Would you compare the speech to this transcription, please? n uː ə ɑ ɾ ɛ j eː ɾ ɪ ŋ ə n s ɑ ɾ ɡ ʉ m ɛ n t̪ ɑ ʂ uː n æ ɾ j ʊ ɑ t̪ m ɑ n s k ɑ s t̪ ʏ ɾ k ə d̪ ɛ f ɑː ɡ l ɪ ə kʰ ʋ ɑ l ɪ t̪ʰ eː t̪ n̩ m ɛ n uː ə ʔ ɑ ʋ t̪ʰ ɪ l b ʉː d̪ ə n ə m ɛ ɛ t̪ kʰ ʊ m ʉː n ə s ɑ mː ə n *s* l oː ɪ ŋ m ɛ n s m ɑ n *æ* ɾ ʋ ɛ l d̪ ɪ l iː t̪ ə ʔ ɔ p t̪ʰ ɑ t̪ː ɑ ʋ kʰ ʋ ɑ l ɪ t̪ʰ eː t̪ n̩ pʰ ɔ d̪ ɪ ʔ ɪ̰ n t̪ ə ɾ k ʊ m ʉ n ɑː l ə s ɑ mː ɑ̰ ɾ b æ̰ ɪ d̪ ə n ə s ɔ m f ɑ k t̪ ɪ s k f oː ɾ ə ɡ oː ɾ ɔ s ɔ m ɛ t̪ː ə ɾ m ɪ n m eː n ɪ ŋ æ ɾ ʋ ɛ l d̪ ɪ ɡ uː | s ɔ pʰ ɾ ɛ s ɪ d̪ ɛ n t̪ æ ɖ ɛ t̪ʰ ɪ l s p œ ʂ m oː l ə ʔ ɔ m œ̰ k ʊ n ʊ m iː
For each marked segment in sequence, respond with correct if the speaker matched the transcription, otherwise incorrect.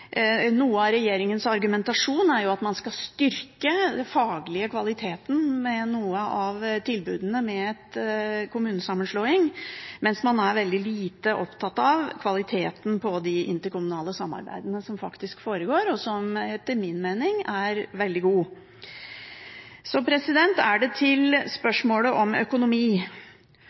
incorrect, correct

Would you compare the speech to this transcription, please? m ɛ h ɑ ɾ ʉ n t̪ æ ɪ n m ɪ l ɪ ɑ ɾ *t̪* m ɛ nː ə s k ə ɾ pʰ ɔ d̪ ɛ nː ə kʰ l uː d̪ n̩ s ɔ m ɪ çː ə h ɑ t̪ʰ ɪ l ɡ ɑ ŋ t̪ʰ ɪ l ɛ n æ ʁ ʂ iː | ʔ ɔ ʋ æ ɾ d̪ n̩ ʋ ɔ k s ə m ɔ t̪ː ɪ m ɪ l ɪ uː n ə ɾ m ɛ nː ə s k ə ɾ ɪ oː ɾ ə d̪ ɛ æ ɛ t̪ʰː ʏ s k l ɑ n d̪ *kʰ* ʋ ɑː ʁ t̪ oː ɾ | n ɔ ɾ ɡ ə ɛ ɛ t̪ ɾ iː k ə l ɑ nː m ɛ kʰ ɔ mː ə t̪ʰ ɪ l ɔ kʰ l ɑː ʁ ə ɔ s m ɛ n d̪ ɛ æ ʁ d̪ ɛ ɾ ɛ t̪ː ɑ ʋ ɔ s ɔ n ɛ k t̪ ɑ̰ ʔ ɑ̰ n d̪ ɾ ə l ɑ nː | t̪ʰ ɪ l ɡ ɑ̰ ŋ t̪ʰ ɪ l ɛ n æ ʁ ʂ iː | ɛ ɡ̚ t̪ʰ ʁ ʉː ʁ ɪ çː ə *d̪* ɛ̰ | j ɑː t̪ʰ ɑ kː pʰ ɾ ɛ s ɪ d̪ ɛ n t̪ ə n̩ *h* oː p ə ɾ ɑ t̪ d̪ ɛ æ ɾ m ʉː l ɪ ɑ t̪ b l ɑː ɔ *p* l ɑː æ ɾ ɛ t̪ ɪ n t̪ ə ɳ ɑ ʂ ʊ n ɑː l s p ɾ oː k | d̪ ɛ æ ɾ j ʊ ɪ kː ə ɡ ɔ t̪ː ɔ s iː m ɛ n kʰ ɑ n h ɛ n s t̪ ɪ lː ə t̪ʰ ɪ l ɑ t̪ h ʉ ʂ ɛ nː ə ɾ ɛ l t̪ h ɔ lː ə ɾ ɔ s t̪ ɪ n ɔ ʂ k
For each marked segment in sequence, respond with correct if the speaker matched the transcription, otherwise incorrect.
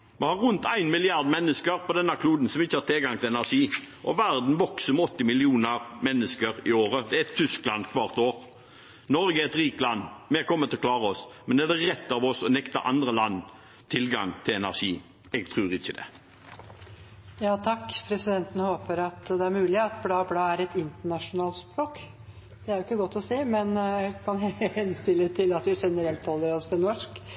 incorrect, correct, correct, correct, incorrect

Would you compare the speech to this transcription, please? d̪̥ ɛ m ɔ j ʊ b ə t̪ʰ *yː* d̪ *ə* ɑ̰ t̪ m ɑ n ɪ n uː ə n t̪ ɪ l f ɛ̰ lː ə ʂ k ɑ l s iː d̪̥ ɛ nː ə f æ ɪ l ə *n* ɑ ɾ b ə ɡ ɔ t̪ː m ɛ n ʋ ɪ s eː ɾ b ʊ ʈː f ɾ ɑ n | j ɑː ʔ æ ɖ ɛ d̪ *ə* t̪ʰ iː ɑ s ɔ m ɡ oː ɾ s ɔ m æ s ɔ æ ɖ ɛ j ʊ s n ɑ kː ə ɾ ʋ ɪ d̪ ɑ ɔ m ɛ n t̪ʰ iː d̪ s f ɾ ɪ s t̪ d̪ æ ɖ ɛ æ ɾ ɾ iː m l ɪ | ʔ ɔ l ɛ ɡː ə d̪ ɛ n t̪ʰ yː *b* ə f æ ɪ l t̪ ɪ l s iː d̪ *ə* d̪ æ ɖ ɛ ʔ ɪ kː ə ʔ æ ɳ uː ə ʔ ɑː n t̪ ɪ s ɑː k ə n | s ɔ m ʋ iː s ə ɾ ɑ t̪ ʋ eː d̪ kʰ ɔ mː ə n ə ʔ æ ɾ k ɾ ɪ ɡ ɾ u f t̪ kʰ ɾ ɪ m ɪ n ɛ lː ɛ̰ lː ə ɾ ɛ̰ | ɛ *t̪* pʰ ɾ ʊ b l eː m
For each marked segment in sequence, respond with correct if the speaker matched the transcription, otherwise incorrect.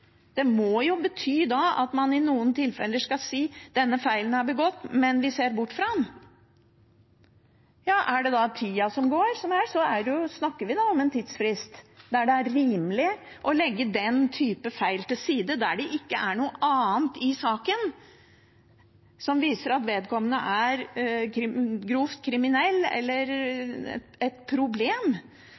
correct, incorrect, correct, incorrect, incorrect, correct, correct

